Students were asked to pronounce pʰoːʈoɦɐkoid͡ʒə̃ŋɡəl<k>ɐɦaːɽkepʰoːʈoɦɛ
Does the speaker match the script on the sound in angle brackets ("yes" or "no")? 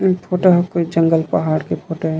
no